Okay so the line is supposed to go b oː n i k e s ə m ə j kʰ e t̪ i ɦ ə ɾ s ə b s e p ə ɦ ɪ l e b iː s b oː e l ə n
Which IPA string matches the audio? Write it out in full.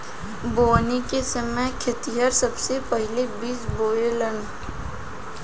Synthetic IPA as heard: b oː n i k e s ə m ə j kʰ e t̪ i ɦ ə ɾ s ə b s e p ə ɦ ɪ l e b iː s b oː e l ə n